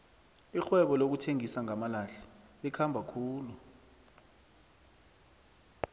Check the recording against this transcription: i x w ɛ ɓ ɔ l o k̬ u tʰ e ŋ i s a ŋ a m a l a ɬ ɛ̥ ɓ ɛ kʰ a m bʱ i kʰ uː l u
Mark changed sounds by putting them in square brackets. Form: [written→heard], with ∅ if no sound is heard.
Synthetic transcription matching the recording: i x w ɛ ɓ ɔ l o k̬ u tʰ e ŋ i s a ŋ a m a l a ɬ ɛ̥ ɓ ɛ kʰ a m bʱ [i→a] kʰ uː l u